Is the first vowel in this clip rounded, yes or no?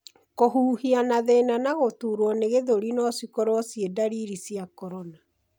yes